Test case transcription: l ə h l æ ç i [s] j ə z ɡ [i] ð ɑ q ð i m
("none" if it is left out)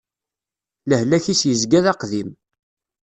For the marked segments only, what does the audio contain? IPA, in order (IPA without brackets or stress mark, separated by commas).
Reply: s, æ